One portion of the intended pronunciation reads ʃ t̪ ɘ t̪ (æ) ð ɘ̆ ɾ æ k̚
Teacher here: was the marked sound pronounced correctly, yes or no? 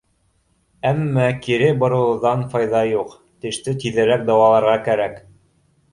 no